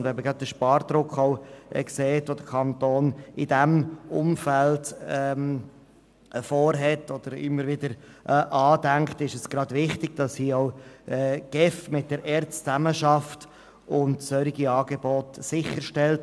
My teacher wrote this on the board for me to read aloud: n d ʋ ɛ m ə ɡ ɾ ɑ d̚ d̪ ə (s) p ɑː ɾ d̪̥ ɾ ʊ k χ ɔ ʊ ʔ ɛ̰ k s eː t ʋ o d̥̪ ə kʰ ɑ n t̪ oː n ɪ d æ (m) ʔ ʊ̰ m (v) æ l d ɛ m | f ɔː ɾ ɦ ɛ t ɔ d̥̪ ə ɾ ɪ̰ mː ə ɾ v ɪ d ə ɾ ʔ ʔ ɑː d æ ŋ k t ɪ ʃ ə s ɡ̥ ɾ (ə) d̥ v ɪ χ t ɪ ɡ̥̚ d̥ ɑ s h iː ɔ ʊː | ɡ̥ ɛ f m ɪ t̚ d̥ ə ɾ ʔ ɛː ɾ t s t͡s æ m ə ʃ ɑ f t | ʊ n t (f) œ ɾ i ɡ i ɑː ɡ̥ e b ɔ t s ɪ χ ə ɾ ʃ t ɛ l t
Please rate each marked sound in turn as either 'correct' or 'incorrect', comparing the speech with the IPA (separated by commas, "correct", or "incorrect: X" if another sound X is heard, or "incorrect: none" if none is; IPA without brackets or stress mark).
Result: incorrect: ʃ, correct, incorrect: f, incorrect: ɑ, incorrect: s